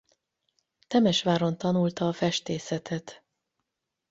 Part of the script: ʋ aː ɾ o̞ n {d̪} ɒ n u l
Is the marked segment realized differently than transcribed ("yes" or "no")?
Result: yes